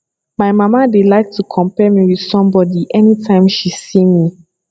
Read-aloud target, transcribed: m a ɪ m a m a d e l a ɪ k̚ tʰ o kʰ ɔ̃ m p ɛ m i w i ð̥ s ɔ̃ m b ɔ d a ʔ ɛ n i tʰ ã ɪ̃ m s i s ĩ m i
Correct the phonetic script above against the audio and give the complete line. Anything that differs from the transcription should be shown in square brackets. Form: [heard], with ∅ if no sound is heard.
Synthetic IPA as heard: m a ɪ m a m a d e l a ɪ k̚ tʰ [u] kʰ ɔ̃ m p ɛ m i w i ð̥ s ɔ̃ m b ɔ d [i] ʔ ɛ n i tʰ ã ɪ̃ m [ʃ] i s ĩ m i